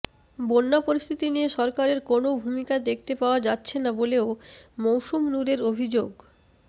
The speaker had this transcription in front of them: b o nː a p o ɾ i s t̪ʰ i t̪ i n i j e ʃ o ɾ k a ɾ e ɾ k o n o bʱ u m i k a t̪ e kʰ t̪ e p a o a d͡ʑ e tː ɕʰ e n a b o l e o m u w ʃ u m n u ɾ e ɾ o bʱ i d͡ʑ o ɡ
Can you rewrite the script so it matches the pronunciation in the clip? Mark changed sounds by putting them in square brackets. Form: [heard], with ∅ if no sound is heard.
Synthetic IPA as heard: b o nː a p o ɾ i s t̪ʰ i t̪ i n i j e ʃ [ɔ] ɾ k a ɾ e ɾ k o n o bʱ u m i k a [d̪] e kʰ t̪ e p a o a d͡ʑ [a] tː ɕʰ e n a b o l e o m [o] w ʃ u m n u ɾ e ɾ o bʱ i d͡ʑ o ɡ